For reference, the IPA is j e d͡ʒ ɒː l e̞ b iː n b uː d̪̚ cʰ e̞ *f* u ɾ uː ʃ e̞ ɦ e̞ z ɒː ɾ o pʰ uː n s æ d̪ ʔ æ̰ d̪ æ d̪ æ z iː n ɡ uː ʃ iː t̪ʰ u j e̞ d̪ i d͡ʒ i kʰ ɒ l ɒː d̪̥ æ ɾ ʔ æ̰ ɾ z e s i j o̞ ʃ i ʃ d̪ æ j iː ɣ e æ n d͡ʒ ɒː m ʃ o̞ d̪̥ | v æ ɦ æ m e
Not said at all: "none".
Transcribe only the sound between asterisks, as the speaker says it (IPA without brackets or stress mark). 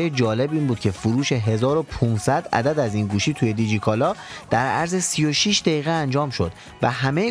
f